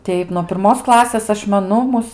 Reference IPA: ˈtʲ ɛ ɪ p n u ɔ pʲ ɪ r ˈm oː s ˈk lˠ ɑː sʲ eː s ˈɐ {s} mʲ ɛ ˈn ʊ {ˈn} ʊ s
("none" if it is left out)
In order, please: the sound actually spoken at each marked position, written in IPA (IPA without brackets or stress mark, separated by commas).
ʃ, m